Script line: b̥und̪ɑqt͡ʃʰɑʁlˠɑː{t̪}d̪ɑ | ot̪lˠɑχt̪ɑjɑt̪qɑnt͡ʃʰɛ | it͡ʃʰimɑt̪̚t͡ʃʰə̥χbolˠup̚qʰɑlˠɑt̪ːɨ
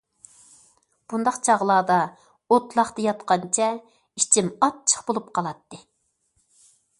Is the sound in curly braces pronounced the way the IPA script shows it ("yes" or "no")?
no